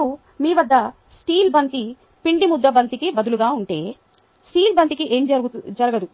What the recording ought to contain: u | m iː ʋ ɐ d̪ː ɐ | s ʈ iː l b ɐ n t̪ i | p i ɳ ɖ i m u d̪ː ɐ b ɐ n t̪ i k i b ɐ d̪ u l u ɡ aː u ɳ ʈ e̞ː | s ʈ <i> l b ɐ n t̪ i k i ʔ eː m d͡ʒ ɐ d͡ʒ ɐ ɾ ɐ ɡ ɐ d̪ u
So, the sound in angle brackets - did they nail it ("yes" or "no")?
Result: no